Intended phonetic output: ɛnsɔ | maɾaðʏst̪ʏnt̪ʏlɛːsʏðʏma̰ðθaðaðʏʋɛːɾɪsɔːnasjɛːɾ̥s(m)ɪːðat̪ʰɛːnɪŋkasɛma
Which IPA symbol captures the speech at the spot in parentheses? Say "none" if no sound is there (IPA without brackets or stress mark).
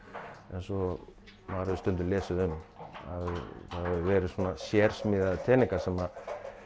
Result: m